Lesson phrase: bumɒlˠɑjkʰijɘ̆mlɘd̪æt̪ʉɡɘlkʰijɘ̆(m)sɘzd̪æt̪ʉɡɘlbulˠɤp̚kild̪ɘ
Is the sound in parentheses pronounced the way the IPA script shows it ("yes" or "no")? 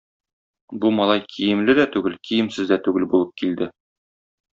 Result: yes